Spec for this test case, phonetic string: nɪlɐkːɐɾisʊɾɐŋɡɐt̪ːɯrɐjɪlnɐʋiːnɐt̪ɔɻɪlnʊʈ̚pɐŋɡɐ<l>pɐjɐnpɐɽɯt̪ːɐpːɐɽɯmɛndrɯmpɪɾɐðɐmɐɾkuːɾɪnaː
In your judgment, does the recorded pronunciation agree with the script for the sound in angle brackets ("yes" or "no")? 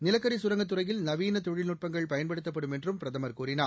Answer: no